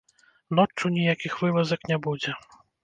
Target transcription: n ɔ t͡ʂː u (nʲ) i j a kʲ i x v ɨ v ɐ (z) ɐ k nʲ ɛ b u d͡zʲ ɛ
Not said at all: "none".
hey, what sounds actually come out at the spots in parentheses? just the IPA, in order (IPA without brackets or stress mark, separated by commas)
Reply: nʲ, z